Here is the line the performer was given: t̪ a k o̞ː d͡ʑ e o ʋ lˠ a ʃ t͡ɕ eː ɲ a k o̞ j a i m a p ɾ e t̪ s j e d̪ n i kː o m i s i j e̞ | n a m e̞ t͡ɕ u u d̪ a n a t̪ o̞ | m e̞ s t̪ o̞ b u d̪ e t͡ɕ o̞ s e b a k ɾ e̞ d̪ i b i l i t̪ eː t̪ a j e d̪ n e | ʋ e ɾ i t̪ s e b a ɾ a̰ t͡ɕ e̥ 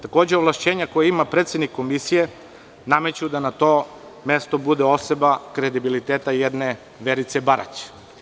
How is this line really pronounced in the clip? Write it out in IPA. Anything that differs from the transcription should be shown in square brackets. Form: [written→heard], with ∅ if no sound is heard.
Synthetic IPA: t̪ a k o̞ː d͡ʑ e o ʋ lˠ a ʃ t͡ɕ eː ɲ a k o̞ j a i m a p ɾ e t̪ s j e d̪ n i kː o m i s i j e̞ | n a m e̞ t͡ɕ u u d̪ a n a t̪ o̞ | m e̞ s t̪ o̞ b u d̪ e [t͡ɕ→∅] o̞ s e b a k ɾ e̞ d̪ i b i l i t̪ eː t̪ a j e d̪ n e | ʋ e ɾ i t̪ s e b a ɾ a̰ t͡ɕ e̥